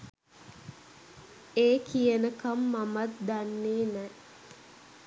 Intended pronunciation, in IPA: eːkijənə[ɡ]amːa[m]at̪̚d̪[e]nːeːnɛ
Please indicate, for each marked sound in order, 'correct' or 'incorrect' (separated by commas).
incorrect, correct, incorrect